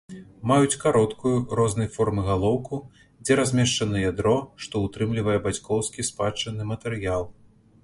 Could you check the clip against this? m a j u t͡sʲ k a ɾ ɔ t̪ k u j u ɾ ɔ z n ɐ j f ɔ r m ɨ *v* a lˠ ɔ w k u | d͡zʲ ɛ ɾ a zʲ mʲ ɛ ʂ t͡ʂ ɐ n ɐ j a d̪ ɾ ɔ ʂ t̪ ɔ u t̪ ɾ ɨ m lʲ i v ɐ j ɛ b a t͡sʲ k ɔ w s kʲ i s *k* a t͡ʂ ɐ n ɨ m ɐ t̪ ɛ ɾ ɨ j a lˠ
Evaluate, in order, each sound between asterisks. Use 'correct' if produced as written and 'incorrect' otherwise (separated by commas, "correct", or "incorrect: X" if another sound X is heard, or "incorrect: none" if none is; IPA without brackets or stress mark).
incorrect: ɣ, incorrect: p